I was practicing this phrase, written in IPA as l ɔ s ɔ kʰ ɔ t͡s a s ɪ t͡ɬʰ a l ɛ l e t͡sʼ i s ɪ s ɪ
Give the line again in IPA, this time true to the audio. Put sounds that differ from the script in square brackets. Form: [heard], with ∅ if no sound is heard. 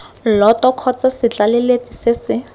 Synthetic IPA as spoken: l ɔ [t] ɔ kʰ ɔ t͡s a s ɪ [t͡ɬ] a l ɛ l e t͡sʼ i s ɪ s ɪ